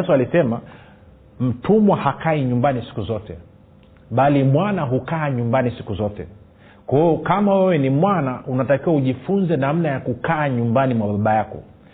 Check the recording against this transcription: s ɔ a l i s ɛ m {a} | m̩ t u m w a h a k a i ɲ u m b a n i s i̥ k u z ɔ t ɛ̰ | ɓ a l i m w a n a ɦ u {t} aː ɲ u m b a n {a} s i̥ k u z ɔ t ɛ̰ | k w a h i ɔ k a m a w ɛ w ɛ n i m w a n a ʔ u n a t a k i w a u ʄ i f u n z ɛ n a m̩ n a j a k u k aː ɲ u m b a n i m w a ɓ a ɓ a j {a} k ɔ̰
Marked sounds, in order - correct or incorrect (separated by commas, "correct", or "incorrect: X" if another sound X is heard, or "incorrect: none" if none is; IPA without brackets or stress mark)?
correct, incorrect: k, incorrect: i, correct